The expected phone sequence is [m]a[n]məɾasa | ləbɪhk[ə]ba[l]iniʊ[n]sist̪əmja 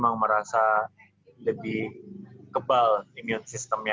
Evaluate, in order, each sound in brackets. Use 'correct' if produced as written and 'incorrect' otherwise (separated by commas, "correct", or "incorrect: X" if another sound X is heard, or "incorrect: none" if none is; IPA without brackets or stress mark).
correct, incorrect: ŋ, correct, correct, correct